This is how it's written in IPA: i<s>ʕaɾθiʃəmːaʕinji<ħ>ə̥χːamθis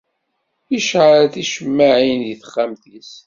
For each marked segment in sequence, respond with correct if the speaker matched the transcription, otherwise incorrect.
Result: incorrect: ʃ, incorrect: θ

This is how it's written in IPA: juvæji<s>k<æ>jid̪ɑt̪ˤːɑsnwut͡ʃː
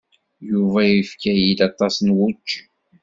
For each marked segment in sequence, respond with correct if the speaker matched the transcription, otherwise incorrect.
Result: incorrect: f, correct

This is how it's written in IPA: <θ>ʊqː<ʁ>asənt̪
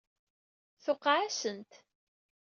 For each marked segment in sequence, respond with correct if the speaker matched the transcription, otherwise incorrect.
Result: correct, incorrect: ʕ

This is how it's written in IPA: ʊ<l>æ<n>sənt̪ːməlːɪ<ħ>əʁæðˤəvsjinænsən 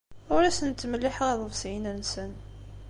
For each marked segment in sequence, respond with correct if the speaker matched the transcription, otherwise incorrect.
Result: incorrect: ɾ, incorrect: none, correct

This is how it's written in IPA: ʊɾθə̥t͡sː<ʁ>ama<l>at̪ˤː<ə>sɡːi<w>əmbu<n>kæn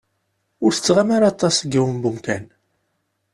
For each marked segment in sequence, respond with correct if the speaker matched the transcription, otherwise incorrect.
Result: correct, incorrect: ɾ, incorrect: ɑ, correct, incorrect: m

